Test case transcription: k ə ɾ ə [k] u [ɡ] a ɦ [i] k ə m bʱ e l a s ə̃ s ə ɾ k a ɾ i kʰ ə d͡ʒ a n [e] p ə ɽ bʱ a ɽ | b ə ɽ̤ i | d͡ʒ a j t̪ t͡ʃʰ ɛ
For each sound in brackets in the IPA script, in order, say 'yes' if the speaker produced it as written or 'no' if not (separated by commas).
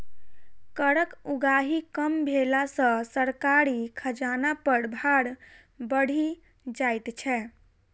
yes, yes, yes, no